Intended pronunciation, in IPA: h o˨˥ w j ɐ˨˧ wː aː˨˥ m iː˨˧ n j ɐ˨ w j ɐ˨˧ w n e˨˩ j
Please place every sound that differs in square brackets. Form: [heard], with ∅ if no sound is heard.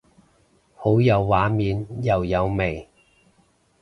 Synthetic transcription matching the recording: h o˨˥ w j ɐ˨˧ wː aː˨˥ m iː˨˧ n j ɐ˨ w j ɐ˨˧ w [m] e˨˩ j